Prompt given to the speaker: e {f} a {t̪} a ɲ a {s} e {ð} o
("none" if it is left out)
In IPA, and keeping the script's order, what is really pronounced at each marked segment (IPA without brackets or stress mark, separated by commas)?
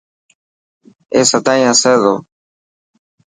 s, t̪, s, ð